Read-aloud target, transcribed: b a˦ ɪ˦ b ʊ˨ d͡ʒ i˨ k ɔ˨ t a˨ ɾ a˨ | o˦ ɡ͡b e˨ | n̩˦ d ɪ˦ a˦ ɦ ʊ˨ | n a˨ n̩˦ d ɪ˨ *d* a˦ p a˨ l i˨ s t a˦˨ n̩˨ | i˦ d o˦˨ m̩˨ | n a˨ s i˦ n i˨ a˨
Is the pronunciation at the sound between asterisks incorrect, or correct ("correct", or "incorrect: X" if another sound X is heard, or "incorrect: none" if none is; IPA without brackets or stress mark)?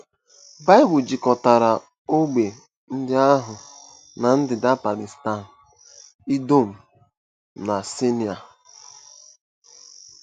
correct